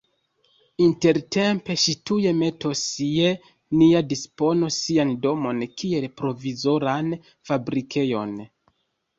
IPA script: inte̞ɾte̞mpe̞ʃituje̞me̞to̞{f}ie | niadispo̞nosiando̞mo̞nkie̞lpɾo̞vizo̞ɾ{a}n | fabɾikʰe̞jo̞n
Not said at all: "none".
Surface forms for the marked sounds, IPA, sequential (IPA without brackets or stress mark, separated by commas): s, a